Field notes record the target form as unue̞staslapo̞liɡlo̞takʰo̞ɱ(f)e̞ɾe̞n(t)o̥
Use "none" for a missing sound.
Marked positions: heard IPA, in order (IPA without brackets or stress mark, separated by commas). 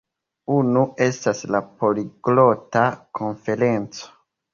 f, t͡s